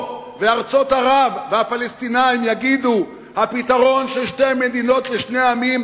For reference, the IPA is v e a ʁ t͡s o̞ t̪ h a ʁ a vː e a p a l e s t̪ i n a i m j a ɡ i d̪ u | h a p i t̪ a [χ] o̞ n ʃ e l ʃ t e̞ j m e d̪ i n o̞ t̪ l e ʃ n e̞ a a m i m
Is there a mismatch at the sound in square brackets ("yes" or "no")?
yes